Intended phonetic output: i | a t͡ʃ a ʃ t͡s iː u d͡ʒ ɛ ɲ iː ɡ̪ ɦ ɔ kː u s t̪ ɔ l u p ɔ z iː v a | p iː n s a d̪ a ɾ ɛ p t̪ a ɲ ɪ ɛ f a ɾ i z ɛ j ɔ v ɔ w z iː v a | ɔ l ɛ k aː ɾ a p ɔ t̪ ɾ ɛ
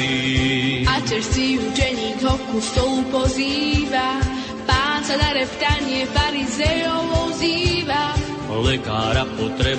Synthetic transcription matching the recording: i | a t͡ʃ ɛ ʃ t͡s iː u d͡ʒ ɛ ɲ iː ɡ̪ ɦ ɔ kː u s t̪ ɔ l u p ɔ z iː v a | p aː n s a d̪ a ɾ ɛ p t̪ a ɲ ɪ ɛ f a ɾ i z ɛ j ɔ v ɔ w z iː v a | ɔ l ɛ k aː ɾ a p ɔ t̪ ɾ ɛ